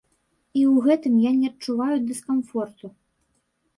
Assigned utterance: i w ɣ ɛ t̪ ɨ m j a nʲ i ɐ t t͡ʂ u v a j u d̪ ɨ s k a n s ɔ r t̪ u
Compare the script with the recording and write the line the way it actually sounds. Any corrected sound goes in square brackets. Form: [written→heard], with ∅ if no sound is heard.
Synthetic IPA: i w ɣ ɛ t̪ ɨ m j a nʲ [i→ɛ] ɐ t t͡ʂ u v a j u d̪ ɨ s k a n [s→f] ɔ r t̪ u